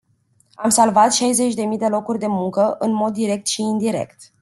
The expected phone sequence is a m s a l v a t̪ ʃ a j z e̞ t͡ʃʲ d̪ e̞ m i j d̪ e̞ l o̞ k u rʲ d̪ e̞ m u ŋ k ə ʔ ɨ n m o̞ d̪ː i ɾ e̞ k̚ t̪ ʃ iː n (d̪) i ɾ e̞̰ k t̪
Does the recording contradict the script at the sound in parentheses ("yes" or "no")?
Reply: no